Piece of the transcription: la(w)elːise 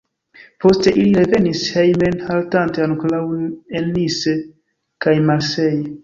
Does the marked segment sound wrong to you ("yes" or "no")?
no